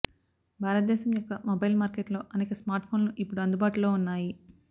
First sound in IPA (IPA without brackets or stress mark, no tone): bʱ